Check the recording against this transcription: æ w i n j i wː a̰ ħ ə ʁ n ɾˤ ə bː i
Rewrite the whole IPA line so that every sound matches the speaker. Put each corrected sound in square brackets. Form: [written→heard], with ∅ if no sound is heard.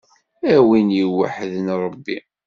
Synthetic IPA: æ w i n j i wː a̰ ħ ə [ʁ→ð] n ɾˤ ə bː i